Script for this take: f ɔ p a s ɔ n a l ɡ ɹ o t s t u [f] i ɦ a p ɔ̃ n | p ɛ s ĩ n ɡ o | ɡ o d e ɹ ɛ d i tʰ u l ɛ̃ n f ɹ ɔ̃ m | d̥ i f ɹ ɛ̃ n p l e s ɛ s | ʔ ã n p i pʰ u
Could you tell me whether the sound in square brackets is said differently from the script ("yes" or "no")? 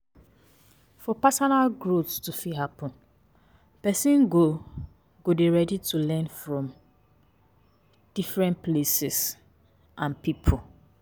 no